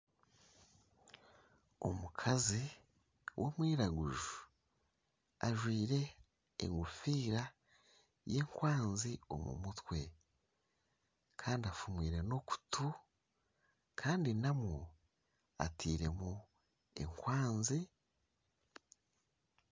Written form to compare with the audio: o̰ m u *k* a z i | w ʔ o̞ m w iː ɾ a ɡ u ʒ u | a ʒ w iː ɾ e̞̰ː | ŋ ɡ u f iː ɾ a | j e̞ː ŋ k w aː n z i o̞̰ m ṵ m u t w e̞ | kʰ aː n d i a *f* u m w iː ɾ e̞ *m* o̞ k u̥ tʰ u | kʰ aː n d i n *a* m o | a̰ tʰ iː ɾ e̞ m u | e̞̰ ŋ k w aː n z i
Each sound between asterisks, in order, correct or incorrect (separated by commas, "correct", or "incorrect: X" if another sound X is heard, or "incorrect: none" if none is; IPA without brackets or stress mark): incorrect: kʰ, correct, incorrect: n, correct